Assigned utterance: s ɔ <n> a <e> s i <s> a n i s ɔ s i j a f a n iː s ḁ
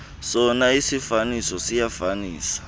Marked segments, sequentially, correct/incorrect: correct, incorrect: i, incorrect: f

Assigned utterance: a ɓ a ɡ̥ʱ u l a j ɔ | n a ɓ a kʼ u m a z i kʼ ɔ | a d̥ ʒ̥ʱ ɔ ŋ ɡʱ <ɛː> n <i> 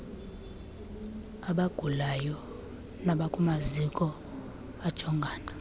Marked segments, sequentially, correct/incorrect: incorrect: aː, incorrect: a

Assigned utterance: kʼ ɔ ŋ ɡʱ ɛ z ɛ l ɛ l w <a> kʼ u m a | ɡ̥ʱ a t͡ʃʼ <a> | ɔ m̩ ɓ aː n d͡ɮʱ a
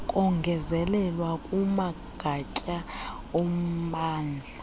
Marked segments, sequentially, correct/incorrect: correct, correct

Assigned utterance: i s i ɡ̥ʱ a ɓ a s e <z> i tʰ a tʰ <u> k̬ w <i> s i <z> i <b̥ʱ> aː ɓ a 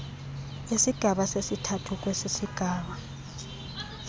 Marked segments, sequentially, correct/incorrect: incorrect: s, correct, incorrect: e, incorrect: s, incorrect: ɡ̥ʱ

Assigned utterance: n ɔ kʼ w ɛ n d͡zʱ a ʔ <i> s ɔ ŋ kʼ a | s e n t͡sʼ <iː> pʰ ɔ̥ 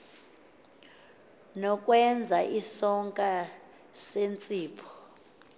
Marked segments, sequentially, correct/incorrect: correct, correct

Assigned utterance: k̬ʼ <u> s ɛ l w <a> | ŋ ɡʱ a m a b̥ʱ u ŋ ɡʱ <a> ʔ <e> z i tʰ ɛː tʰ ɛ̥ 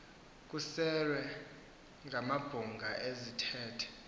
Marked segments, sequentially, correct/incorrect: correct, incorrect: ɛ, correct, correct

